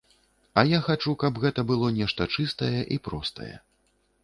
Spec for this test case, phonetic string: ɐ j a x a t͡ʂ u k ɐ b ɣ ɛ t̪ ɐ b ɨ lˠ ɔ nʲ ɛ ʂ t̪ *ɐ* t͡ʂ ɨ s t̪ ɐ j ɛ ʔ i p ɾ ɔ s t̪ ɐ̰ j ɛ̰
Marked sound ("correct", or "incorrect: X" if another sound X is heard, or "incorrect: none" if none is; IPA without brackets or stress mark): correct